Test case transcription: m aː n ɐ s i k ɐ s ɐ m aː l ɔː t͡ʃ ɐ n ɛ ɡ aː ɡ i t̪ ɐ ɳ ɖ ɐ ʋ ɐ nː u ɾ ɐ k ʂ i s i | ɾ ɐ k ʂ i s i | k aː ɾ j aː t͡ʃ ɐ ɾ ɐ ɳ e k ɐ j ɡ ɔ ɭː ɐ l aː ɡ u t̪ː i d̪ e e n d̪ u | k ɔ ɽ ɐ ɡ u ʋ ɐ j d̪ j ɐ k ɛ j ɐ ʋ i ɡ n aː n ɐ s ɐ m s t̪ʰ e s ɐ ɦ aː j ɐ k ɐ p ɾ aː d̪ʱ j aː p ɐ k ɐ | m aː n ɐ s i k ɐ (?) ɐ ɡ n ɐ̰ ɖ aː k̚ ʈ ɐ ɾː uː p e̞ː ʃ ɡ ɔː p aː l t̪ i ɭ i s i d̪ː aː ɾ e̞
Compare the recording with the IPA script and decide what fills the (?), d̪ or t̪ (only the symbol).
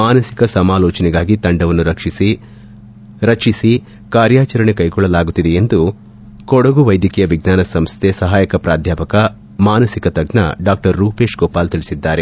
t̪